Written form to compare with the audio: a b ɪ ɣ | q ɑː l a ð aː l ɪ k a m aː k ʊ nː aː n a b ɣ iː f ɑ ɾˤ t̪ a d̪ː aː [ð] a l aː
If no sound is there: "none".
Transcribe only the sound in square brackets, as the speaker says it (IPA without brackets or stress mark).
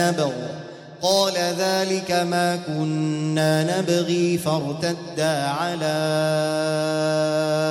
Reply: ʕ